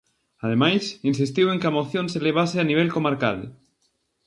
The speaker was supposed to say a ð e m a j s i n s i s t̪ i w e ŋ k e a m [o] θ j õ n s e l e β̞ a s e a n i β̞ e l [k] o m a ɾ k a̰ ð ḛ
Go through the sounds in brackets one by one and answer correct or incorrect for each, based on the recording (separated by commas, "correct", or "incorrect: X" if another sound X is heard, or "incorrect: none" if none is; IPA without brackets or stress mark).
correct, correct